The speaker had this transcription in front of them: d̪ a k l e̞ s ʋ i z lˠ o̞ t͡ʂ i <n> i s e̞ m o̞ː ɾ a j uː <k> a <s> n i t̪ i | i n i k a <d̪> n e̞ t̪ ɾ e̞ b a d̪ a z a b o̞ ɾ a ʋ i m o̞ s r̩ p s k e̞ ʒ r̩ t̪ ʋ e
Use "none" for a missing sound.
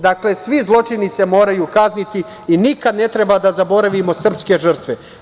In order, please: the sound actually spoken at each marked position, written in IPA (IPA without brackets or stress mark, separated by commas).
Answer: n, k, z, d̪